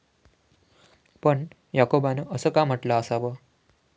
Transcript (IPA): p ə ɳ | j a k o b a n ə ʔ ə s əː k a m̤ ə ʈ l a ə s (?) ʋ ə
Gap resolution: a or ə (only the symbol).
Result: a